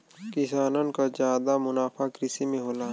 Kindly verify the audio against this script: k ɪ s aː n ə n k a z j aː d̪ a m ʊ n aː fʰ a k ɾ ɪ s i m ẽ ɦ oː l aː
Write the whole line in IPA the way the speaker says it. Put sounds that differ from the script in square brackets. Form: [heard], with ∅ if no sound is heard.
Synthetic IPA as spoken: k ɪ s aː n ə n k a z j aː d̪ a m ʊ n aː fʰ a k ɾ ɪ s i m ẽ ɦ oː l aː